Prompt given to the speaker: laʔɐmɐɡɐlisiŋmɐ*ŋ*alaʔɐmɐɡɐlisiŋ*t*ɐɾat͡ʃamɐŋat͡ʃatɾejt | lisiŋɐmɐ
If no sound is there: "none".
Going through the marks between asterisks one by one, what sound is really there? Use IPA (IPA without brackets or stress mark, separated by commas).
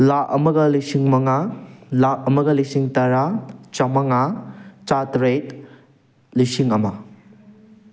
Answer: ŋ, t